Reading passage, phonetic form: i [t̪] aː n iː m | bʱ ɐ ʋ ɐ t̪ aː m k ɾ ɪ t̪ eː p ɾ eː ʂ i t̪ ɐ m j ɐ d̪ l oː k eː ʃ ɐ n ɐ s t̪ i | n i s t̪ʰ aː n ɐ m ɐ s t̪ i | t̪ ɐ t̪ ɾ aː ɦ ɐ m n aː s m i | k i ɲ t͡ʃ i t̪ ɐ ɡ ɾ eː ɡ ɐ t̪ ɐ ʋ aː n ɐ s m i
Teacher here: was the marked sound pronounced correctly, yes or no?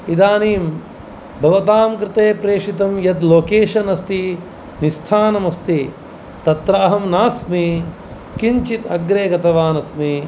no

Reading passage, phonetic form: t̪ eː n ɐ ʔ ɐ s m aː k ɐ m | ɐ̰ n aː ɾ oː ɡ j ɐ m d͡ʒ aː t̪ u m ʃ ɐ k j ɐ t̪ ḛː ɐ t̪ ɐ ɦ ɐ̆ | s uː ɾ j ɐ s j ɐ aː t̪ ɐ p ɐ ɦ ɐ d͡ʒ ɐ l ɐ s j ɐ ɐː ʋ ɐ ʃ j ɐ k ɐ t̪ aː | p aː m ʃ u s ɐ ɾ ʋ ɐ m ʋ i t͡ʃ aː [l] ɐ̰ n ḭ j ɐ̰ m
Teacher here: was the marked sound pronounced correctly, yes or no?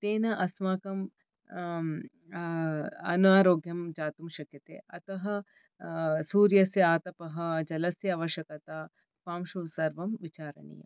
no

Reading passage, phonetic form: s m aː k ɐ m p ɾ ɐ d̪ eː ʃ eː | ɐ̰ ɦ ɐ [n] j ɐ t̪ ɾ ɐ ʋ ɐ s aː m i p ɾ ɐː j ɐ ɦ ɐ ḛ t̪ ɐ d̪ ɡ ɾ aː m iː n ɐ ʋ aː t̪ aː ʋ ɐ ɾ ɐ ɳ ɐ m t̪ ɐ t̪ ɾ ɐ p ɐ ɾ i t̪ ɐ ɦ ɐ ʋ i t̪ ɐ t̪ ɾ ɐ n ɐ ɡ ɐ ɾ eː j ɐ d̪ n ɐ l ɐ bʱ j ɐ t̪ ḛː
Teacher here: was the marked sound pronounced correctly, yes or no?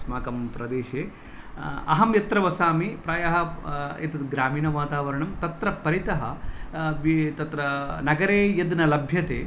no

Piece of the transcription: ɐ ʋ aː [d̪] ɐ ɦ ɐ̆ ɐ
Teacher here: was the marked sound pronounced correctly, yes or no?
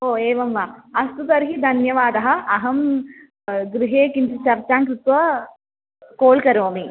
yes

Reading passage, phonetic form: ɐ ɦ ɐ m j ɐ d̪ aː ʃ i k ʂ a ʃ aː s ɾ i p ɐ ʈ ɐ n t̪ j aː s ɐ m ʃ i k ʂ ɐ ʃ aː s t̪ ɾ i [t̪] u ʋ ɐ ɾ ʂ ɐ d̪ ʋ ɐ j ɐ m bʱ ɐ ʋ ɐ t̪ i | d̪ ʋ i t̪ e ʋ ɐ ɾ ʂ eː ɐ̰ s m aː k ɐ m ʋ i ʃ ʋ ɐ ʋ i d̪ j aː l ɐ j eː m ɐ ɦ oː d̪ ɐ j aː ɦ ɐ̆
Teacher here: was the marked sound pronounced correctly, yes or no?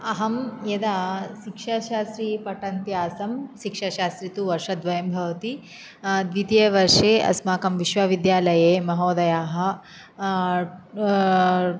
yes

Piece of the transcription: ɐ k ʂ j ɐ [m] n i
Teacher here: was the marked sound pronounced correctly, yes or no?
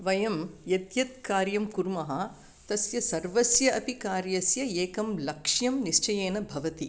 yes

